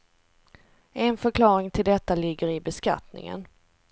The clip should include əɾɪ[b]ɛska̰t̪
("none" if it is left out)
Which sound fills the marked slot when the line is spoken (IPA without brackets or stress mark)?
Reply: b